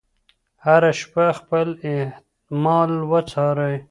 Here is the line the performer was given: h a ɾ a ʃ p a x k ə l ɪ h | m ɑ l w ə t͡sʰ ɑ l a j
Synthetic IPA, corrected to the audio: h a ɾ a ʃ p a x p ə l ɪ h | m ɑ l w ə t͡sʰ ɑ ɾ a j